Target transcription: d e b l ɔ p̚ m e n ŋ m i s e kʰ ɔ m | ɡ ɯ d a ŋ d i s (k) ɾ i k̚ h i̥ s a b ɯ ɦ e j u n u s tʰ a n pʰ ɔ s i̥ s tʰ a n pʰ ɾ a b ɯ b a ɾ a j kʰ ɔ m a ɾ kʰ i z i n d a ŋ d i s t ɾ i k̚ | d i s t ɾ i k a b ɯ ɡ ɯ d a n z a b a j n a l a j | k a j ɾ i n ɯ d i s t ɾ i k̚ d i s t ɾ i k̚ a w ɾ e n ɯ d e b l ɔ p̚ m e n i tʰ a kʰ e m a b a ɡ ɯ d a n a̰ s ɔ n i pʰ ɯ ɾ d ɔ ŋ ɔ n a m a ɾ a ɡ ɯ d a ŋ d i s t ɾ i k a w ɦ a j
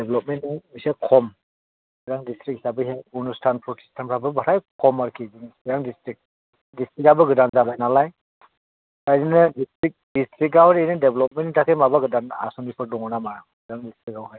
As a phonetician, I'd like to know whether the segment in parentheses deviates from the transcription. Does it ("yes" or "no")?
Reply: yes